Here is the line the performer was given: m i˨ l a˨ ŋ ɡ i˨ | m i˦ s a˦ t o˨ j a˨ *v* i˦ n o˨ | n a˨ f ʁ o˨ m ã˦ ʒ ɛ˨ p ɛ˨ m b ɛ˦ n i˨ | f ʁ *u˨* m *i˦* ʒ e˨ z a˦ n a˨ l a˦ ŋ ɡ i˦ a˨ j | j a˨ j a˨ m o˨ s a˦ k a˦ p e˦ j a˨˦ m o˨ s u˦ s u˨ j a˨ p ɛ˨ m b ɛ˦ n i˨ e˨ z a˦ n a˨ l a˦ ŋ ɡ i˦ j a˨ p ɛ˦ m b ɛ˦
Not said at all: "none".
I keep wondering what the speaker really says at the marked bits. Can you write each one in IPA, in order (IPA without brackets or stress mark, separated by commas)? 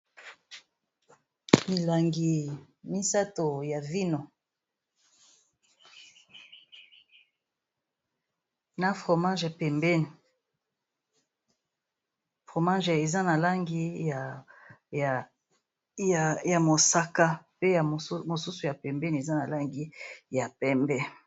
v, o˨, a˦